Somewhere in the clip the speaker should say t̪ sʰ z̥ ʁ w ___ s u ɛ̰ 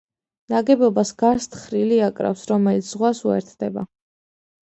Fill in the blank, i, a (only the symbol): a